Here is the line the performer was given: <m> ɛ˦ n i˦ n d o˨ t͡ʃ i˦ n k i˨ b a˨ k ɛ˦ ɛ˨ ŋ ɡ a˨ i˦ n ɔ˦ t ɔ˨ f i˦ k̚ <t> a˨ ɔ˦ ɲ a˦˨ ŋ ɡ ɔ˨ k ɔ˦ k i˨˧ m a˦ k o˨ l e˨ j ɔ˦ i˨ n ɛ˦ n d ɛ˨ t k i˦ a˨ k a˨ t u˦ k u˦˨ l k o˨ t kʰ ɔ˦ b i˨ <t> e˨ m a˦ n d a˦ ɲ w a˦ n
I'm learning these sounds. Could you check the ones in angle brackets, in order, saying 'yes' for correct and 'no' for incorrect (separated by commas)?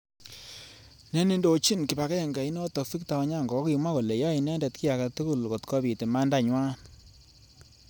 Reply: no, yes, yes